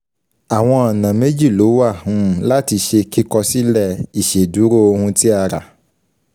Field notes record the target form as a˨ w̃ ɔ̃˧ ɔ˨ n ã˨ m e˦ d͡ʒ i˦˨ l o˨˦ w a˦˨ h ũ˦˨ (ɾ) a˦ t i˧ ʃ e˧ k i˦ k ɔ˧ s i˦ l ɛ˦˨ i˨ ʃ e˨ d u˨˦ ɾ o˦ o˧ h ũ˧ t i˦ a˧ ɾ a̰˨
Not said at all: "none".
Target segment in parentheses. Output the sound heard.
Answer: l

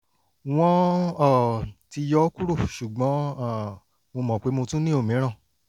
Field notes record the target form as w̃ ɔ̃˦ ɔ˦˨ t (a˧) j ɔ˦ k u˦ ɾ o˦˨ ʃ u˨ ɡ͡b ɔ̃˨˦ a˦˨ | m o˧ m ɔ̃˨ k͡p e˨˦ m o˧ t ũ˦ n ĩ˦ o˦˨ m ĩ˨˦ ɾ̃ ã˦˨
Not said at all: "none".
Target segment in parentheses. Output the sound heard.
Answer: i˧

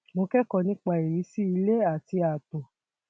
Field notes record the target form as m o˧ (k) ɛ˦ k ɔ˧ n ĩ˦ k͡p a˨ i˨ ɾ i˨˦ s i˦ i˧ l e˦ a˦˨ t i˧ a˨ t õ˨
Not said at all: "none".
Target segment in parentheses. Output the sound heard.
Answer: k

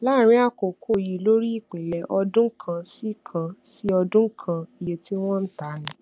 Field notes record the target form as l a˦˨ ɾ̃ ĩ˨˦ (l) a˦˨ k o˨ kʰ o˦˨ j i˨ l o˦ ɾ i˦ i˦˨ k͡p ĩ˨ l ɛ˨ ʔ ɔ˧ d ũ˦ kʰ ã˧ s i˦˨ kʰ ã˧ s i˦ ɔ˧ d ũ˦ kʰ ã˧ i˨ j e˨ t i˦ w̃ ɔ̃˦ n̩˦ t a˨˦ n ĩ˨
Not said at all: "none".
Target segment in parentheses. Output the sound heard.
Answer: none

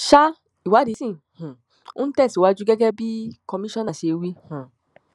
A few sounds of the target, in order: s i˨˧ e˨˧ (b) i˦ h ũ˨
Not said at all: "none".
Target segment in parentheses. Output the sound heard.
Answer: w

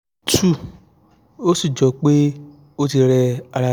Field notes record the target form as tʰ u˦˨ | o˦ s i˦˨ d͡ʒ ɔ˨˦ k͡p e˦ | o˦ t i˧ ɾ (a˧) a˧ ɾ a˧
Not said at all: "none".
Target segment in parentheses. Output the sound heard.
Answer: ɛ˧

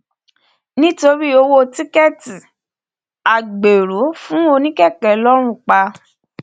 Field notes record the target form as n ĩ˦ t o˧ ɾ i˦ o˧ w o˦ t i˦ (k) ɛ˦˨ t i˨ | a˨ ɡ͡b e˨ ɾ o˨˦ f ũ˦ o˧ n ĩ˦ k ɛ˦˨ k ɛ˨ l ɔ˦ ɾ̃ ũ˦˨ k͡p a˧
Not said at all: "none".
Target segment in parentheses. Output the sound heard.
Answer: k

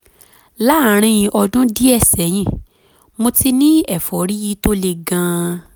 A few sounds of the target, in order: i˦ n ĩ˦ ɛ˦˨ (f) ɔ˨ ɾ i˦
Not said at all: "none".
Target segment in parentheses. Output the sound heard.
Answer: f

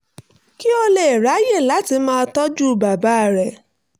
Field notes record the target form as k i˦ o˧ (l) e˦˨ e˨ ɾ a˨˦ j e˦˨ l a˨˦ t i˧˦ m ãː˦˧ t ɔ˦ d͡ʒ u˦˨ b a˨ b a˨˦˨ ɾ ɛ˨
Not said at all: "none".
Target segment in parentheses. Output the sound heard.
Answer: l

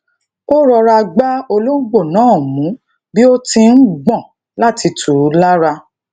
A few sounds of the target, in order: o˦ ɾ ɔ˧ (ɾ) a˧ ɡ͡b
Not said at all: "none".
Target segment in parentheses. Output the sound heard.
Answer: ɾ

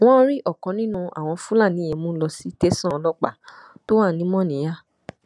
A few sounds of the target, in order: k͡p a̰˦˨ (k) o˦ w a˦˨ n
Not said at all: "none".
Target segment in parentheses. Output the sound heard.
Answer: t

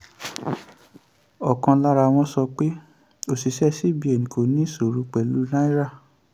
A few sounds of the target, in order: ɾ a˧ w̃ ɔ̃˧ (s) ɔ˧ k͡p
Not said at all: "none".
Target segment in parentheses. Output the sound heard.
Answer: s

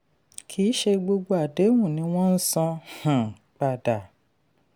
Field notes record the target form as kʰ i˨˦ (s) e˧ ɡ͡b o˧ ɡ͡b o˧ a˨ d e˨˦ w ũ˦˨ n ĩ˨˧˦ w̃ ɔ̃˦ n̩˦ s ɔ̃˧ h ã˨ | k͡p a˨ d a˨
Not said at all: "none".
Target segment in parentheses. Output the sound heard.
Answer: ʃ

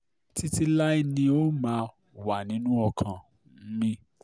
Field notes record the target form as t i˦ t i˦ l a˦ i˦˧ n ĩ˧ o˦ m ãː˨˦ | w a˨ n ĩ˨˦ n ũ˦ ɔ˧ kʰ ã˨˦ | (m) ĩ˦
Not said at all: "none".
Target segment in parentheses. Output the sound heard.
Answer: m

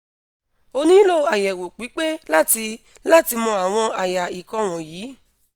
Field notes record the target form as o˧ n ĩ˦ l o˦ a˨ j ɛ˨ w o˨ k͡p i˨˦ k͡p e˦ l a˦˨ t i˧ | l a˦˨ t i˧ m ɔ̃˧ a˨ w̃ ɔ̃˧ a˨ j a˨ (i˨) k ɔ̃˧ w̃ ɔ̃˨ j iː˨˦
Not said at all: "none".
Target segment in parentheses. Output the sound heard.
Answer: i˨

